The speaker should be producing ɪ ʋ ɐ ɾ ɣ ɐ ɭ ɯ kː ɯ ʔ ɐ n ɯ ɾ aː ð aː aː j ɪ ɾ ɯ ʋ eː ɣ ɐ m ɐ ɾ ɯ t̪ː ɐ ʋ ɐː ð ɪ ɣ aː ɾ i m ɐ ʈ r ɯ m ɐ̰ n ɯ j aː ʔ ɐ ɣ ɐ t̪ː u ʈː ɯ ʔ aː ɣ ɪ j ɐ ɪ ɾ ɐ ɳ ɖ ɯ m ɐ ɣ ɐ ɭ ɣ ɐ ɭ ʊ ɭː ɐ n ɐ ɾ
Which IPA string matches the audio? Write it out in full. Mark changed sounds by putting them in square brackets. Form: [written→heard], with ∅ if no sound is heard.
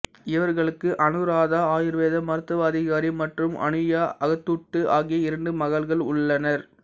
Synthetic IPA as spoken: ɪ ʋ ɐ ɾ ɣ ɐ ɭ ɯ kː ɯ ʔ ɐ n ɯ ɾ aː ð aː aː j ɪ ɾ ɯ ʋ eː [ɣ→ð] ɐ m ɐ ɾ ɯ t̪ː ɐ ʋ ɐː ð ɪ ɣ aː ɾ i m ɐ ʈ r ɯ m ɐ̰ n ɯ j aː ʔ ɐ ɣ ɐ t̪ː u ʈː ɯ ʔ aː ɣ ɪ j ɐ ɪ ɾ ɐ ɳ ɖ ɯ m ɐ ɣ ɐ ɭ ɣ ɐ ɭ ʊ ɭː ɐ n ɐ ɾ

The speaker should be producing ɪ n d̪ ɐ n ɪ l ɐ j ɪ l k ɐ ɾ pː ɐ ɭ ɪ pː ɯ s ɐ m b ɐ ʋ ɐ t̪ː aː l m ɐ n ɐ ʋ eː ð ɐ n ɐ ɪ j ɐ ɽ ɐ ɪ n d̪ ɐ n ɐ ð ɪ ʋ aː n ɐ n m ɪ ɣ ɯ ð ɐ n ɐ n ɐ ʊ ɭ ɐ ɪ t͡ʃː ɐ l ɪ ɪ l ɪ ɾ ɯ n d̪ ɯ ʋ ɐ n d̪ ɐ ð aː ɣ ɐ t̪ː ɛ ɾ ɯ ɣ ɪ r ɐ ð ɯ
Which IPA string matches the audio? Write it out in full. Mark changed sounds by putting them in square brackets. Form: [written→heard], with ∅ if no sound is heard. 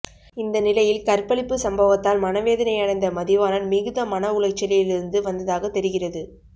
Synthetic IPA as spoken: ɪ n d̪ ɐ n ɪ l ɐ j ɪ l k ɐ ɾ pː ɐ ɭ ɪ pː ɯ s ɐ m b ɐ ʋ ɐ t̪ː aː l m ɐ n ɐ ʋ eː ð ɐ n ɐ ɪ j ɐ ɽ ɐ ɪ n d̪ ɐ [n→m] ɐ ð ɪ ʋ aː n ɐ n m ɪ ɣ ɯ ð ɐ [n→m] ɐ n ɐ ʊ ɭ ɐ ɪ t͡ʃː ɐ l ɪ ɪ l ɪ ɾ ɯ n d̪ ɯ ʋ ɐ n d̪ ɐ ð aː ɣ ɐ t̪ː ɛ ɾ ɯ ɣ ɪ r ɐ ð ɯ

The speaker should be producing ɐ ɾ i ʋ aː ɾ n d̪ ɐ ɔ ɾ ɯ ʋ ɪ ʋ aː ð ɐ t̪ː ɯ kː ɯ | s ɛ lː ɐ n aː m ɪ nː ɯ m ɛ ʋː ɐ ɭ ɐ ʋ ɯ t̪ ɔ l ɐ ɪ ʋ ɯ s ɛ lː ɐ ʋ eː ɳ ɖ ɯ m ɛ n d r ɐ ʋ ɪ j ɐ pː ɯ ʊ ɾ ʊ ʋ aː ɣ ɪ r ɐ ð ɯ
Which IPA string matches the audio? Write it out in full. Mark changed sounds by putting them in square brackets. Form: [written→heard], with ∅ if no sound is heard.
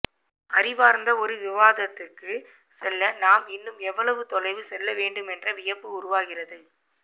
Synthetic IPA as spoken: ɐ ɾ [i→ɪ] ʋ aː ɾ n d̪ ɐ ɔ ɾ ɯ ʋ ɪ ʋ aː ð ɐ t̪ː ɯ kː ɯ | s ɛ lː ɐ n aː m ɪ nː ɯ m ɛ ʋː ɐ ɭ ɐ ʋ ɯ t̪ ɔ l ɐ ɪ ʋ ɯ s ɛ lː ɐ ʋ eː ɳ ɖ ɯ m ɛ n d r ɐ ʋ ɪ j ɐ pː ɯ ʊ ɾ ʊ ʋ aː ɣ ɪ r ɐ ð ɯ

